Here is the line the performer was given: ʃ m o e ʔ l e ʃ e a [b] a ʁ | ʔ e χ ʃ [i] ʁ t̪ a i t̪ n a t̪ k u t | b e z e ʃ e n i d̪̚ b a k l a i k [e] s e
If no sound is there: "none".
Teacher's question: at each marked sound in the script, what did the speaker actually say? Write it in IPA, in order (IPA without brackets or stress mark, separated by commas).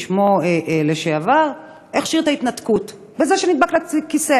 v, i, i